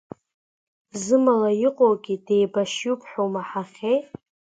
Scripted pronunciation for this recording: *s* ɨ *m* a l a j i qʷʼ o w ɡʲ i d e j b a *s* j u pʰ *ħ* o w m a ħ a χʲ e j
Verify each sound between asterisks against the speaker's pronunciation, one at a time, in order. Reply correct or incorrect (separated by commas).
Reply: incorrect, correct, incorrect, correct